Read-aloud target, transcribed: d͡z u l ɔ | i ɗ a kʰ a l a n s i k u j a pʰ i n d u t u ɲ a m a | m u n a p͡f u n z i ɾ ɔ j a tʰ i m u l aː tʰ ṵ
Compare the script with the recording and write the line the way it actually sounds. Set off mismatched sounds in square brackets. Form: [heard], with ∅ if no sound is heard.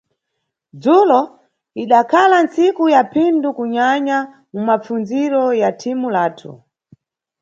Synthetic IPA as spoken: d͡z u l ɔ | i ɗ a kʰ a l a n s i k u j a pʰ i n d u [k] u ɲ a [ɲ] a | m u [m] a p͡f u n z i ɾ ɔ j a tʰ i m u l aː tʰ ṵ